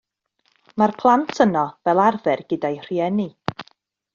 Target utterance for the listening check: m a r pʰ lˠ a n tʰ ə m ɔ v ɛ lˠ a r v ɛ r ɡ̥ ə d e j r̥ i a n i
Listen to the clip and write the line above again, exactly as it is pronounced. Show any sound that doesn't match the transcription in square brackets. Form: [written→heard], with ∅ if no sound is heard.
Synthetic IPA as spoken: m a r pʰ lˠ a n tʰ ə [m→n] ɔ v ɛ lˠ a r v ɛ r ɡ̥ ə d [e→a] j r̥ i [a→ɛ] n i